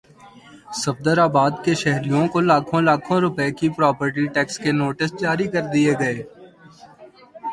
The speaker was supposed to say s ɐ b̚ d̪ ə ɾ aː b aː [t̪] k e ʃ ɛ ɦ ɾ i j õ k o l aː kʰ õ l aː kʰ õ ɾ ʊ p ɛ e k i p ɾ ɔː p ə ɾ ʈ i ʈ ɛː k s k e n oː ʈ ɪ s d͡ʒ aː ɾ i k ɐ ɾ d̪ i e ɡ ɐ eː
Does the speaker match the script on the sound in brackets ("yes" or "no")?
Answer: no